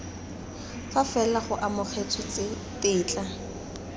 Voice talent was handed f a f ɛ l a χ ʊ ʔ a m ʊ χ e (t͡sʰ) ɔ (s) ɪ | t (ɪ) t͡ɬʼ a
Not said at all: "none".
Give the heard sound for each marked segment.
t͡sʰ, t͡s, ɪː

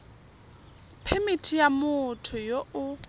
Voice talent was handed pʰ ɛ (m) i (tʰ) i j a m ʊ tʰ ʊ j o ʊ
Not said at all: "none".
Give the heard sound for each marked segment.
m, tʰ

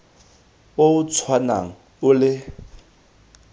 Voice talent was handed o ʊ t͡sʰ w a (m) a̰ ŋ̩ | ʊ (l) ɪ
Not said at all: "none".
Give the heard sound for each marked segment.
n, l

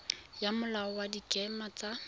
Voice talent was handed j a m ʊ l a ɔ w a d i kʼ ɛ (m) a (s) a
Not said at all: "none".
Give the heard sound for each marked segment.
m, t͡s

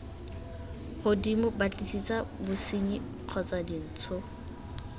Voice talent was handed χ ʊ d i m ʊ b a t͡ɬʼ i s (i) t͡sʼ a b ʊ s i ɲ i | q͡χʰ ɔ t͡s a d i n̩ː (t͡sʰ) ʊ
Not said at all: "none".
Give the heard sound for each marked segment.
i, t͡sʰ

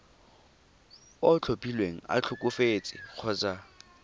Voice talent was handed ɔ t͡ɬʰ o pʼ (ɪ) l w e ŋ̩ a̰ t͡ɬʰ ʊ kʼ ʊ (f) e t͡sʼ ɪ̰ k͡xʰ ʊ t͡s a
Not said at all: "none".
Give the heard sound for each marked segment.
i, f

